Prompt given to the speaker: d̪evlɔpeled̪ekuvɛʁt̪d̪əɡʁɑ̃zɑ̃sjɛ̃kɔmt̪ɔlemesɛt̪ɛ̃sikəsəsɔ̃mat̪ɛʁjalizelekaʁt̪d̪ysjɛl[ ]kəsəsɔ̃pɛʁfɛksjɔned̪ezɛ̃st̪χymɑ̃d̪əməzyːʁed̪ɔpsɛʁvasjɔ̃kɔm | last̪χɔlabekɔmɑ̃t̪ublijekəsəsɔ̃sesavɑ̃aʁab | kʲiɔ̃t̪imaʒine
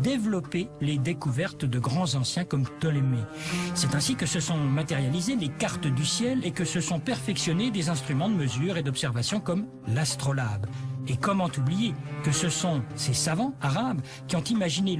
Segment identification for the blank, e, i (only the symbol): e